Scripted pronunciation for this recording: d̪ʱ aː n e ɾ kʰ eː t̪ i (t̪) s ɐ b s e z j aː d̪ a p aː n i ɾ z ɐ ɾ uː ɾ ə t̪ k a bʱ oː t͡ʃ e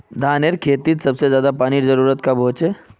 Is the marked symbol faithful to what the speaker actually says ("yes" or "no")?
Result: yes